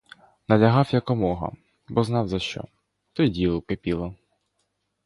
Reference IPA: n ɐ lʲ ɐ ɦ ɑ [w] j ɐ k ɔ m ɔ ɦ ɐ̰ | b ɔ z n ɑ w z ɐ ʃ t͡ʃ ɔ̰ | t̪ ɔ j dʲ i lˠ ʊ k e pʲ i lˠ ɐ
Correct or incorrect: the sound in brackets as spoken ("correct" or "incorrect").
correct